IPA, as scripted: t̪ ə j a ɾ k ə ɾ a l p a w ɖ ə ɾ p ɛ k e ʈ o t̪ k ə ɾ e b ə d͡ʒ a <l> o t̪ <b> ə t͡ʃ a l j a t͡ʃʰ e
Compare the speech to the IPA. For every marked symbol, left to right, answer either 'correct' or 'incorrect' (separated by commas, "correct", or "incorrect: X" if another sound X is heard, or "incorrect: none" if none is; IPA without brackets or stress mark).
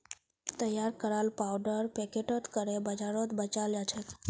incorrect: ɾ, correct